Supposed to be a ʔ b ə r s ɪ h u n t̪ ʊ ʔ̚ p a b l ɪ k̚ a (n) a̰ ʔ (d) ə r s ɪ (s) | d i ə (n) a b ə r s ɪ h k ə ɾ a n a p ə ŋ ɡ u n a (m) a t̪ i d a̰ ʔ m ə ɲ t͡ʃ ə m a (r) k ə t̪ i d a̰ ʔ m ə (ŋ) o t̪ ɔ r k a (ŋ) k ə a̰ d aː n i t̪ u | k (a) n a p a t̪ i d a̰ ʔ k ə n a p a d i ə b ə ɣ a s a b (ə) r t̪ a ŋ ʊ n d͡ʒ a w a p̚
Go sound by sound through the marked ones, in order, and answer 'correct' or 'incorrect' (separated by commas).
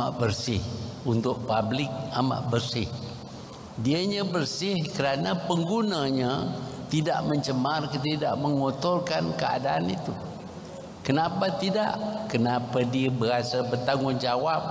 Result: incorrect, incorrect, incorrect, incorrect, incorrect, correct, correct, incorrect, incorrect, correct